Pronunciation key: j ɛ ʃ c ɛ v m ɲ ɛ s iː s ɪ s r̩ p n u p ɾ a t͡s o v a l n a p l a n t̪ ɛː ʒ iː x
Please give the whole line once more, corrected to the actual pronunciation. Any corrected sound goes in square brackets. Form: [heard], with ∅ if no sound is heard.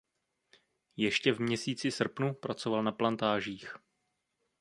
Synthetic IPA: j ɛ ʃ c ɛ v m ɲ ɛ s iː [t͡s] ɪ s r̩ p n u p ɾ a t͡s o v a l n a p l a n t̪ [aː] ʒ iː x